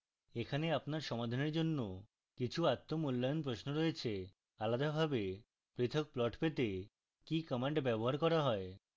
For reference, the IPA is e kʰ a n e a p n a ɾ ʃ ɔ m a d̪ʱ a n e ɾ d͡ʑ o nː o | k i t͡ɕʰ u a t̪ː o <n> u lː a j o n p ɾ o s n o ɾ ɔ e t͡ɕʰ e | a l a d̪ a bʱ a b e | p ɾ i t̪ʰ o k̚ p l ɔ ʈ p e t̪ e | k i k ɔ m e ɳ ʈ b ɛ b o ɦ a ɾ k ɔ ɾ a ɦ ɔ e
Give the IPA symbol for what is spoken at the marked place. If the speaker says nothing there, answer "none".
m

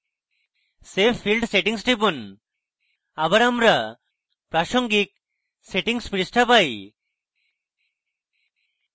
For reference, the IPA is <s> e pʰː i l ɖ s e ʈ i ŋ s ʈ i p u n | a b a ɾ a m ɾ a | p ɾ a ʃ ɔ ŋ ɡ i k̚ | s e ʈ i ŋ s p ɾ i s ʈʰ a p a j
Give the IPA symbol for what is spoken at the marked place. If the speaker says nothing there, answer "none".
s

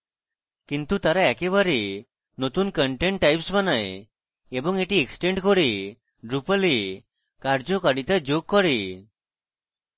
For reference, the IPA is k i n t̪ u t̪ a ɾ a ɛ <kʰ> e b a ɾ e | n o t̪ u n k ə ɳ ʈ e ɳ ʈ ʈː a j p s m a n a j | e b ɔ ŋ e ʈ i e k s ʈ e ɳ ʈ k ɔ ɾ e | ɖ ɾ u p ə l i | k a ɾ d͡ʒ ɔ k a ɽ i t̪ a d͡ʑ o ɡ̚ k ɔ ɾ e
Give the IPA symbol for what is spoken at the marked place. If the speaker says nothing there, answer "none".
k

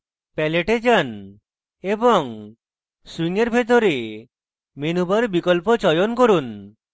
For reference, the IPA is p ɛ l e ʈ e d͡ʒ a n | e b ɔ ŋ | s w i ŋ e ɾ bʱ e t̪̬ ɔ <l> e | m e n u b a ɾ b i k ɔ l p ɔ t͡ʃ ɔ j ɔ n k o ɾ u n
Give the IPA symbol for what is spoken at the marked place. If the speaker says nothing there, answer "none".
ɾ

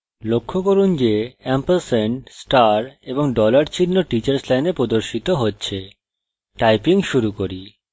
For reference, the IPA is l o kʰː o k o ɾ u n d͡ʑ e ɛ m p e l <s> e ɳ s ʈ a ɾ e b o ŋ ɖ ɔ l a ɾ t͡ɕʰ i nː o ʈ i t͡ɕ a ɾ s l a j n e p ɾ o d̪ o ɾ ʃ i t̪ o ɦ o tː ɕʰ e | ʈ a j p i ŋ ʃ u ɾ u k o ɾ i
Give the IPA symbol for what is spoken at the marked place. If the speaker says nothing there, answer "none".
s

